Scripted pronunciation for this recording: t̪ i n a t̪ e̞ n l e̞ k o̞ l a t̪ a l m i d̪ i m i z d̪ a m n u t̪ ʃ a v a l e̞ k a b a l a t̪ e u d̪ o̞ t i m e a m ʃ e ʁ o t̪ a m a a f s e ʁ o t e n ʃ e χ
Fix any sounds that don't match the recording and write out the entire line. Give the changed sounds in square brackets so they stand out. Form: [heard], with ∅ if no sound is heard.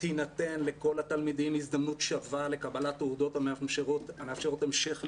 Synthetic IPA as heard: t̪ i n a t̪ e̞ n l e̞ k o̞ l a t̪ a l m i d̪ i m i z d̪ a m n u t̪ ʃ a v a l e̞ k a b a l a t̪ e u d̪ o̞ t [a] m e a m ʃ e ʁ o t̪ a m [e] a f [ʃ] e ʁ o t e [m] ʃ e χ